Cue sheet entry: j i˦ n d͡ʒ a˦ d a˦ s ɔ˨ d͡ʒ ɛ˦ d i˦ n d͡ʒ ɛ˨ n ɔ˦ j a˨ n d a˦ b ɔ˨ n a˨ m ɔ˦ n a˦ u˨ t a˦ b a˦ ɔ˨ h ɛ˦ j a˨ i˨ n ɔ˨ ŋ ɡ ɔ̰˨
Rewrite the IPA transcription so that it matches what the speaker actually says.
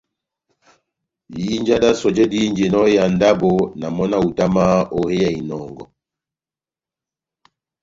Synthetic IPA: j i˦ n d͡ʒ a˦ d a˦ s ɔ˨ d͡ʒ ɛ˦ d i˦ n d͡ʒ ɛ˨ n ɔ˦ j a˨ n d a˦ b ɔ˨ n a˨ m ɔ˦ n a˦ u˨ t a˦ m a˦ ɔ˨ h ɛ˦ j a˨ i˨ n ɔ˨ ŋ ɡ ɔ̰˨